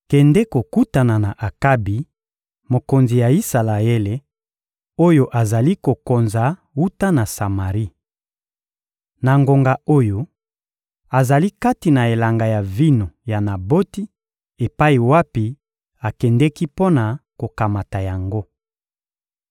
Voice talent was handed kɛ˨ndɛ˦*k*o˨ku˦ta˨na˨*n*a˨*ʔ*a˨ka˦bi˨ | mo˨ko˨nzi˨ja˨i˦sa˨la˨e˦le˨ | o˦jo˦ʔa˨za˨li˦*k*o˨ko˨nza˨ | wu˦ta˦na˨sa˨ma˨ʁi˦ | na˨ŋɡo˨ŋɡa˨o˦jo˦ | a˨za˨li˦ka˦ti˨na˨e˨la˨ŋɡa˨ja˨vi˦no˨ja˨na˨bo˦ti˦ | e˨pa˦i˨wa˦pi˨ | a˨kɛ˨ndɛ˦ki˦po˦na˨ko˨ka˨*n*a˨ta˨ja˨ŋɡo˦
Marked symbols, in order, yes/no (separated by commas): yes, yes, yes, yes, no